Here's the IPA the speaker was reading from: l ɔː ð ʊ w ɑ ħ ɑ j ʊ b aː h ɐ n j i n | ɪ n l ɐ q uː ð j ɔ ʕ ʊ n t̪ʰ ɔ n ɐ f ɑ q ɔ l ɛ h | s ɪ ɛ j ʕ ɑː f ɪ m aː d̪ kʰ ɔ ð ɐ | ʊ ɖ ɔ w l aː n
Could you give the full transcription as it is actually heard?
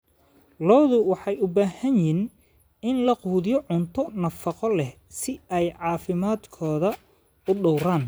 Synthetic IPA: l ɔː ð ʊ w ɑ ħ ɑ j ʊ b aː h ɐ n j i n | ɪ n l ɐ q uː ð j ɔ ʕ ʊ n t̪ʰ ɔ n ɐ f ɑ q ɔ l ɛ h | s ɪ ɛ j ʕ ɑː f ɪ m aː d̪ kʰ ɔː ð ɐ | ʊ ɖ ɔ w ɾ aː n

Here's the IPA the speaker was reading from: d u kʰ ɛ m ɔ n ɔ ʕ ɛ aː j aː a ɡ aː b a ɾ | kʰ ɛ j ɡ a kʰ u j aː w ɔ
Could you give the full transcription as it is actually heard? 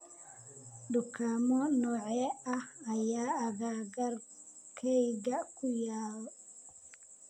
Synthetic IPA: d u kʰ a m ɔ n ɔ ʕ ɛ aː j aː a ɡ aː ɡ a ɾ | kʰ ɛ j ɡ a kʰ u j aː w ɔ

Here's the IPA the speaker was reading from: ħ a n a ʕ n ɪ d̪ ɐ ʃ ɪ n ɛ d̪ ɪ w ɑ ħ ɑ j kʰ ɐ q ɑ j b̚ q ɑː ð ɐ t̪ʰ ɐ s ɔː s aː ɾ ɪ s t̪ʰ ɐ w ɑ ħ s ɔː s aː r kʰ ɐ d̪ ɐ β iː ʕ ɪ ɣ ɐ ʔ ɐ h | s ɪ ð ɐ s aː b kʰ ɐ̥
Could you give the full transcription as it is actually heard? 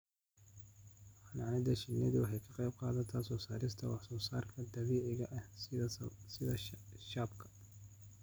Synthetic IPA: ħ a n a ʕ n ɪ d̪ ɐ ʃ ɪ n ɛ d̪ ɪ w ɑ ħ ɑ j kʰ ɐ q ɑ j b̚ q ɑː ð ɐ t̪ʰ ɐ s ɔː s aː ɾ ɪ s t̪ʰ ɐ w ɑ ħ s ɔː s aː r kʰ ɐ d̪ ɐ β iː ʕ ɪ ɣ ɐ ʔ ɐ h | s ɪ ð ɐ ʃ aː b kʰ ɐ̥

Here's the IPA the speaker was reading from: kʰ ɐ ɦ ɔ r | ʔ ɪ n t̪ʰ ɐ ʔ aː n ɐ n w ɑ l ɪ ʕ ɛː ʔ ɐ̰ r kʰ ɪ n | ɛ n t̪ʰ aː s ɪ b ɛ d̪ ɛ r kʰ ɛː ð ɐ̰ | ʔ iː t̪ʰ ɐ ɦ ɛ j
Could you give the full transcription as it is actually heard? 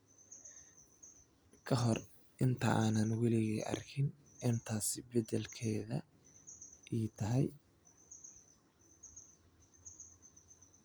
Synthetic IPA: kʰ ɐ ɦ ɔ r | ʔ ɪ n t̪ʰ ɐ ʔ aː n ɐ n w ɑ l ɪ ɣ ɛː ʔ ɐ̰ r kʰ ɪ n | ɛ n t̪ʰ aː s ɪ b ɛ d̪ ɛ l kʰ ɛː ð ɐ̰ | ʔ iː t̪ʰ ɐ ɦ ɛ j

